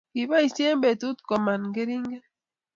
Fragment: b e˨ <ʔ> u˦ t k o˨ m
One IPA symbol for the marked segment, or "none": t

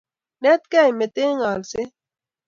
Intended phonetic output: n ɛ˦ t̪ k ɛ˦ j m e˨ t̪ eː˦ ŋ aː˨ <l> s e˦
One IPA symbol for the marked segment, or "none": l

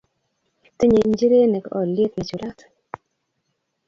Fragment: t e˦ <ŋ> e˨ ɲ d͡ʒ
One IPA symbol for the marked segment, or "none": ɲ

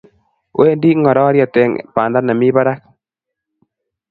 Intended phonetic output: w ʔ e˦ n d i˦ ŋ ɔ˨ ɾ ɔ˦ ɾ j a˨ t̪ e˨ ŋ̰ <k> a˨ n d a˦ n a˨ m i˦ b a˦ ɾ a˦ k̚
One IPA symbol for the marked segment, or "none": p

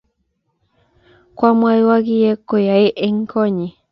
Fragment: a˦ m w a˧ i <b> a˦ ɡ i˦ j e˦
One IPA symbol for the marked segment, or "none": w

